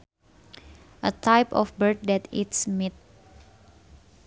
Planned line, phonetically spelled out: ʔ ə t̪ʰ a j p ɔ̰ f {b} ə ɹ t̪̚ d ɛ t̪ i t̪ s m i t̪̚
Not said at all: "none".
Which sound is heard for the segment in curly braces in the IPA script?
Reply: b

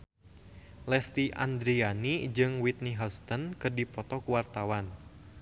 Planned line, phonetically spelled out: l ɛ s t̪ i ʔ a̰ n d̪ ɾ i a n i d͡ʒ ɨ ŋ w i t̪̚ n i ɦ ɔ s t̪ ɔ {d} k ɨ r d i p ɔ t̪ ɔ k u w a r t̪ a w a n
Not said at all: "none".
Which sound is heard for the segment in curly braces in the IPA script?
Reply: n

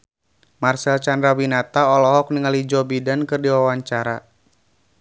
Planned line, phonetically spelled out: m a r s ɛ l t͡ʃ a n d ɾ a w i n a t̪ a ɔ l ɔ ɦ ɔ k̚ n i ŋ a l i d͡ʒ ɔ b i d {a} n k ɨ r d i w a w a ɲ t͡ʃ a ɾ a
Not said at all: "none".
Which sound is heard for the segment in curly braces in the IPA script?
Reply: a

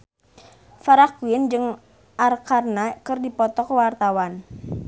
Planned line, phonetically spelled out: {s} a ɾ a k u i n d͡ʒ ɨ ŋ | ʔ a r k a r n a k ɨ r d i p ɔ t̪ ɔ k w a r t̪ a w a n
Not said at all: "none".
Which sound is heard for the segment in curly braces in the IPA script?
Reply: f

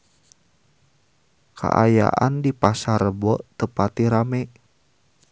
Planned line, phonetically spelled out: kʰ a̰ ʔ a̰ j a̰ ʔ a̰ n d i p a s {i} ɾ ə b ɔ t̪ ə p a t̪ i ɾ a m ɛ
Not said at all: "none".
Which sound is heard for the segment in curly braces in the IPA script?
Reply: a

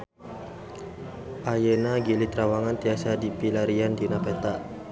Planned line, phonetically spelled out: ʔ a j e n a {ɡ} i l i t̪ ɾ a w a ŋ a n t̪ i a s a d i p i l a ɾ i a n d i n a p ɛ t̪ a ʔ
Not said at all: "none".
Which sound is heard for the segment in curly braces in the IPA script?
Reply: ɡ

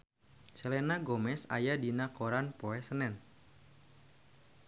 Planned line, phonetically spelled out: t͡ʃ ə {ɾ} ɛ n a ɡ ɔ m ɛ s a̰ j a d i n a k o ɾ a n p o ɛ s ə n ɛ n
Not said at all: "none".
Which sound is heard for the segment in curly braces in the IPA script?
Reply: l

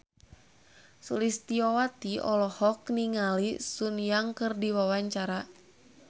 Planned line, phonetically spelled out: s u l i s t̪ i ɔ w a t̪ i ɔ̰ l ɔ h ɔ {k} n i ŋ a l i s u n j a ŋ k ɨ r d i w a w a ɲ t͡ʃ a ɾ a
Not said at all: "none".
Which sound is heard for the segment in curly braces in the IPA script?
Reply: k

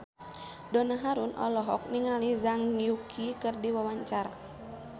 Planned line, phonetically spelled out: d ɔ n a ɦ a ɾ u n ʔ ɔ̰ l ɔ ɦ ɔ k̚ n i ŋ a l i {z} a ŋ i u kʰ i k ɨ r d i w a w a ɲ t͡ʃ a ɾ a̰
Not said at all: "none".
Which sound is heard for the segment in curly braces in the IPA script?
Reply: z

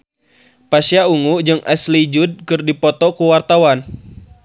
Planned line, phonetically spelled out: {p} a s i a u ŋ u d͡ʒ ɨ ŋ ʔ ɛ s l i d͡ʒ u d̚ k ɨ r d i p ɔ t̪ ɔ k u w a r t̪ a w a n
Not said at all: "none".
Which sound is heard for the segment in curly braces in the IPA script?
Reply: p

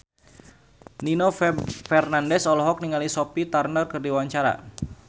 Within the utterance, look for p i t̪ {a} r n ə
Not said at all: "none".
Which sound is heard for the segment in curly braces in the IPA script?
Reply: a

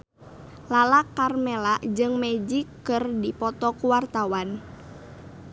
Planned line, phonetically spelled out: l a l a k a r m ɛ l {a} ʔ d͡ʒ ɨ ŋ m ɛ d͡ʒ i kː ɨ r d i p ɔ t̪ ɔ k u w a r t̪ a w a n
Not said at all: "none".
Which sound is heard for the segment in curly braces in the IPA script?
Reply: a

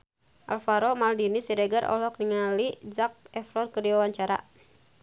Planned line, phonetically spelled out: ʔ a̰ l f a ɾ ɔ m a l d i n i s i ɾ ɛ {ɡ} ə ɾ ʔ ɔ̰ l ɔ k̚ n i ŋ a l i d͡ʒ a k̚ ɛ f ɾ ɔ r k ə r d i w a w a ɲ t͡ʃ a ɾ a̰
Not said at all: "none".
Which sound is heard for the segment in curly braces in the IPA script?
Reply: ɡ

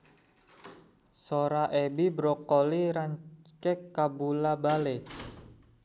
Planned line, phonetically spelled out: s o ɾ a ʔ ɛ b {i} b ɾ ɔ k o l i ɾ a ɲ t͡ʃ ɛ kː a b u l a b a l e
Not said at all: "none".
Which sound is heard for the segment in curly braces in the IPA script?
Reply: i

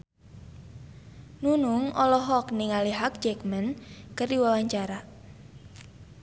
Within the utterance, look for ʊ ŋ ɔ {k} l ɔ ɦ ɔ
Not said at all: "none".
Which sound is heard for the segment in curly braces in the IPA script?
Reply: none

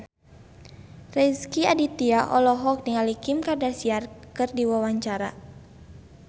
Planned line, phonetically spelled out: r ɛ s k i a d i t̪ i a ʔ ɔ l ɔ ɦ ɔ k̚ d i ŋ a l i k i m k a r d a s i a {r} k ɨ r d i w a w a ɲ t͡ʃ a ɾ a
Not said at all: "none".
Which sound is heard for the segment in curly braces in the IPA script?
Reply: r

